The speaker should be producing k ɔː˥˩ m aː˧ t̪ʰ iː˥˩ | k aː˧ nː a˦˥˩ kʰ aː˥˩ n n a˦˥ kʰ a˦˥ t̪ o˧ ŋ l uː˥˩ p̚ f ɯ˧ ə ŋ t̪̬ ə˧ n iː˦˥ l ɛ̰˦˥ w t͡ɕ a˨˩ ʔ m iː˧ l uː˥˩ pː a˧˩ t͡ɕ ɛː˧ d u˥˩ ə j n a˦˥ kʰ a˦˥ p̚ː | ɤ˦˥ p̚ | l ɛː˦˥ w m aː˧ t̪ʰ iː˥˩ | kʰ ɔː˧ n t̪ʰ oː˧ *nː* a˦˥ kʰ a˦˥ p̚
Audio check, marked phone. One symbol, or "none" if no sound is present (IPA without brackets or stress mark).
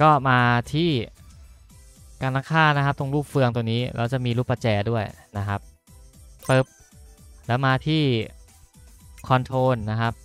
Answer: nː